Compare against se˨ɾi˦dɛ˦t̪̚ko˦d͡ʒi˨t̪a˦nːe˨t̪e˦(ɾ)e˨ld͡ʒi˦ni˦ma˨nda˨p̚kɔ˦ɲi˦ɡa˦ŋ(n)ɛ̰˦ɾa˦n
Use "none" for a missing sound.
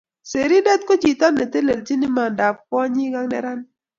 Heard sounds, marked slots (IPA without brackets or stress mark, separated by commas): l, n